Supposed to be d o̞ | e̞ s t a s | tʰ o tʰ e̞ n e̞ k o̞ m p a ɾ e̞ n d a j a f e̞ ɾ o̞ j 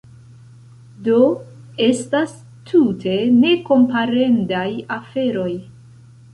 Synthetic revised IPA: d o̞ | e̞ s t a s | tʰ u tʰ e̞ n e̞ k o̞ m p a ɾ e̞ n d a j a f e̞ ɾ o̞ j

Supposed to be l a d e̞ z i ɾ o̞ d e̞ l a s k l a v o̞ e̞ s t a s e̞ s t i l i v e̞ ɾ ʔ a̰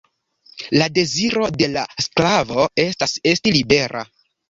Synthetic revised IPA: l a d e̞ z i ɾ o̞ d e̞ l a s k l a v o̞ e̞ s t a s e̞ s t i l i b e̞ ɾ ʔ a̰

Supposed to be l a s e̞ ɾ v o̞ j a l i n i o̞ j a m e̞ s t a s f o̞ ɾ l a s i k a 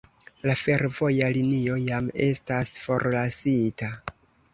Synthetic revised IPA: l a f e̞ ɾ v o̞ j a l i n i o̞ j a m e̞ s t a s f o̞ ɾ l a s i t a

